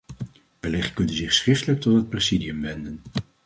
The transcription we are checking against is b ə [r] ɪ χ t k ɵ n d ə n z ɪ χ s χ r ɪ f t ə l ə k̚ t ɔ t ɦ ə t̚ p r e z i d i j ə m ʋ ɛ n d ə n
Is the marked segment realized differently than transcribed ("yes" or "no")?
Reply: yes